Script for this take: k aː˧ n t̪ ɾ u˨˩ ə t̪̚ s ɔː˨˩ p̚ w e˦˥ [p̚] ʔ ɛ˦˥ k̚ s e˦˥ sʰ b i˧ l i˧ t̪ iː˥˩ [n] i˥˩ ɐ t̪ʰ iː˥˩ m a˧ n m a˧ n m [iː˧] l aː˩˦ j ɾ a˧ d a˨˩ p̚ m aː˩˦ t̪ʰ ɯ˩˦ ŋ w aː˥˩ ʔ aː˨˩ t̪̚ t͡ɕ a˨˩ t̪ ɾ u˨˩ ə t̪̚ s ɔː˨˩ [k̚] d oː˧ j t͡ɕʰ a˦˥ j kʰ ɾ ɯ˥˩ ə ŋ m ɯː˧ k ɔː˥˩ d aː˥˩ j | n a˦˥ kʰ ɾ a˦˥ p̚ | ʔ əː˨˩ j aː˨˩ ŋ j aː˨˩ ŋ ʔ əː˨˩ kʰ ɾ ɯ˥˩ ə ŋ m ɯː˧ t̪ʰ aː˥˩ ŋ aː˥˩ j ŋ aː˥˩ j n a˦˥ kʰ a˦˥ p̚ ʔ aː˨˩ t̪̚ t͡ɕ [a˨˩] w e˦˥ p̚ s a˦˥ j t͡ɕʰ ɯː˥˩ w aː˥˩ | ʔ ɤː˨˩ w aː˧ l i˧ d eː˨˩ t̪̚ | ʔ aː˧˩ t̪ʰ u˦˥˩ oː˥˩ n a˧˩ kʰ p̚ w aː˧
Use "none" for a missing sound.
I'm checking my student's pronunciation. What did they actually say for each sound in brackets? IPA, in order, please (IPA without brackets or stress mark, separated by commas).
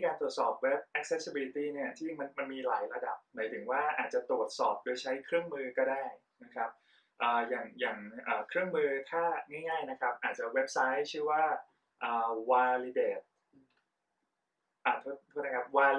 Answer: p̚, n, iː˧, p̚, a˨˩